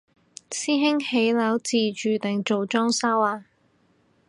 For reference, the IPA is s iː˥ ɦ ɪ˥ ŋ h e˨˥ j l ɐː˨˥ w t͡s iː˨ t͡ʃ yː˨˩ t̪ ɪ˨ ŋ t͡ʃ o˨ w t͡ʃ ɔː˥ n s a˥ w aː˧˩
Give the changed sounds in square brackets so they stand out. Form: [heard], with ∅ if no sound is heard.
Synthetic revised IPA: s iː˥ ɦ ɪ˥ ŋ h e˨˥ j l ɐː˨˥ w t͡s iː˨ t͡ʃ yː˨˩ t̪ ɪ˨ ŋ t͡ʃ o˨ w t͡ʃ ɔː˥ [ŋ] s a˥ w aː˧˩